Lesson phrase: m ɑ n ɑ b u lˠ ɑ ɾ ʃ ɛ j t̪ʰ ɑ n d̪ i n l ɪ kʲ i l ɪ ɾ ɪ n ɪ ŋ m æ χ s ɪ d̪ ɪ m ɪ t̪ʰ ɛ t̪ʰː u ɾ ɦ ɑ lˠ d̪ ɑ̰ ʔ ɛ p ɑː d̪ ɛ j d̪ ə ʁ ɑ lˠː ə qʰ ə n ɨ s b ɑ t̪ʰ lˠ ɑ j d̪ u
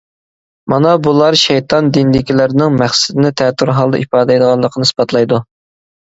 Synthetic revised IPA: m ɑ n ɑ b u lˠ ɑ ɾ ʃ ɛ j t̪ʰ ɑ n d̪ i n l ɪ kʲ i l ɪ ɾ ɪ n ɪ ŋ m æ χ s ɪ d̪ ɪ n ɪ t̪ʰ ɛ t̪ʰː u ɾ ɦ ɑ lˠ d̪ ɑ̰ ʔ i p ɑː d̪ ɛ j d̪ ə ʁ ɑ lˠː ə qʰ ə n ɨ s b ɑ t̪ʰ lˠ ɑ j d̪ u